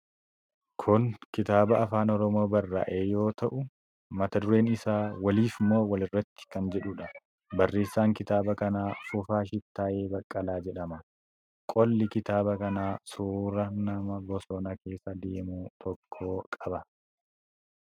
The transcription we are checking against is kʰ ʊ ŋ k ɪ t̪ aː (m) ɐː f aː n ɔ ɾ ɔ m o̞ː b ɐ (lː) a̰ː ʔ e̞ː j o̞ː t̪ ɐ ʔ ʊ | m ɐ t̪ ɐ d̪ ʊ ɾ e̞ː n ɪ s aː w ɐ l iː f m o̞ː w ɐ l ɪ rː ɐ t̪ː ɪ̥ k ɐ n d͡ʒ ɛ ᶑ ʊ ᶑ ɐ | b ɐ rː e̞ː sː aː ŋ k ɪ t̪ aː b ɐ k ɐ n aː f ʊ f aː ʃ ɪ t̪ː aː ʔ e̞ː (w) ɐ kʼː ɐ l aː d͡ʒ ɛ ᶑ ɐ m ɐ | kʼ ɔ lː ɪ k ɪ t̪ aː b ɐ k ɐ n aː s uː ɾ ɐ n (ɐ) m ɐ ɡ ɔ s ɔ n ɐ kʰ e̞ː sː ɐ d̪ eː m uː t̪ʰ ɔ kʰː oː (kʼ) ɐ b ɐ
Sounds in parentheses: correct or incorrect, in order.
incorrect, incorrect, incorrect, correct, correct

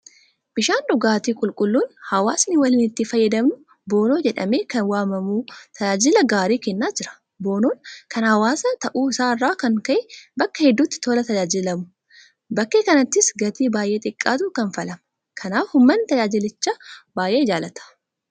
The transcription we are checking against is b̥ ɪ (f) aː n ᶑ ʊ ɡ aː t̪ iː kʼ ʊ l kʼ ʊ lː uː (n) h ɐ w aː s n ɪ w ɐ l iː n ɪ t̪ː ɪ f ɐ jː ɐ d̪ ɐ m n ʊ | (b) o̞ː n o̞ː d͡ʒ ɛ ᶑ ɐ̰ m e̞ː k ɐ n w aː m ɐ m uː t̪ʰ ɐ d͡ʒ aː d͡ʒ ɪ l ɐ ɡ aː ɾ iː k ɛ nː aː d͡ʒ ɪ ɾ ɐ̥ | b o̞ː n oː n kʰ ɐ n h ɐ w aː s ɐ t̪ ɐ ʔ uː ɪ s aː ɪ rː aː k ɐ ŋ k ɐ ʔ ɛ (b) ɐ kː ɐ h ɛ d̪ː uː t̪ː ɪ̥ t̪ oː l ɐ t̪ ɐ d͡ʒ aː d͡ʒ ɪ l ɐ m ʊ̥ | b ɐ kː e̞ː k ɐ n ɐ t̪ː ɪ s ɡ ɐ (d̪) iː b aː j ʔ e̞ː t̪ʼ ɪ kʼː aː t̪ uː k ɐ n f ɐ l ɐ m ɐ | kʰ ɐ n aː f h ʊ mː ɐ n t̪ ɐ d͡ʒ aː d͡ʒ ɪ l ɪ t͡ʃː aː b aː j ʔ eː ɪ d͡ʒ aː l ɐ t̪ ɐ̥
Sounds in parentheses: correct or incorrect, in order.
incorrect, correct, correct, correct, incorrect

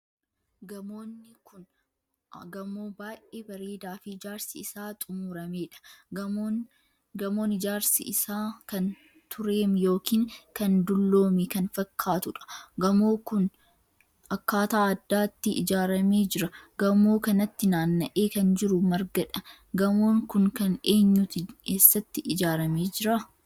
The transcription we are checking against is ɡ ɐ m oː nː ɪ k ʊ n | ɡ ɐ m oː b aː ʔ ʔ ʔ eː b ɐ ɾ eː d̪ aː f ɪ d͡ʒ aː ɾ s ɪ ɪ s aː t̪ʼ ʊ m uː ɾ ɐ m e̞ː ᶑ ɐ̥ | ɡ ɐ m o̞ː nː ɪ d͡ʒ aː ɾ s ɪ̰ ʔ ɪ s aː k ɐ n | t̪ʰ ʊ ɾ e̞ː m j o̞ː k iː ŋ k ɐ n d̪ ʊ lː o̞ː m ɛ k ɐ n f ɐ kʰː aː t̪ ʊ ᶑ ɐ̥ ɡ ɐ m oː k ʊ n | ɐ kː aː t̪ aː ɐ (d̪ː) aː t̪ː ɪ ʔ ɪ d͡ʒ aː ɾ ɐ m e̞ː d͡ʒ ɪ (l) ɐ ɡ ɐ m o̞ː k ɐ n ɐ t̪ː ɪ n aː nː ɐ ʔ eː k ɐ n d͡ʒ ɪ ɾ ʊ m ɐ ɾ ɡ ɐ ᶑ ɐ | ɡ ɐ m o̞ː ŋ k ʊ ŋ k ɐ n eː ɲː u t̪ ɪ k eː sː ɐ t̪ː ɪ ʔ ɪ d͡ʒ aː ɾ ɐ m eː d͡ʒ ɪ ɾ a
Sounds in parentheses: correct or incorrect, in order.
correct, incorrect

